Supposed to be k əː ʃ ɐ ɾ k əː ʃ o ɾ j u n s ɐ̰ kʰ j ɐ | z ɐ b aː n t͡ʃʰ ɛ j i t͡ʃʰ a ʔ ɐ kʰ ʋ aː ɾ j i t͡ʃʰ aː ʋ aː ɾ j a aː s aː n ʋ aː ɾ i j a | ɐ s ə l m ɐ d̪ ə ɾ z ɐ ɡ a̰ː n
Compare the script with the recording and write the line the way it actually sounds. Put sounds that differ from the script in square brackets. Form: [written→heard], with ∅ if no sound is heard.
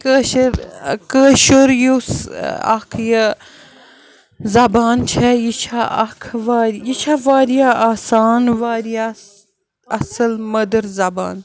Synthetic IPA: k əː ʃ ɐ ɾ k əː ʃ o ɾ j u [n→∅] s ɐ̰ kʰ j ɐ | z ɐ b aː n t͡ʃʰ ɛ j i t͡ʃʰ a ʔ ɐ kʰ ʋ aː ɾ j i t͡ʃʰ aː ʋ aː ɾ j a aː s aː n ʋ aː ɾ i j a | ɐ s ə l m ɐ d̪ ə ɾ z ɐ [ɡ→b] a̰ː n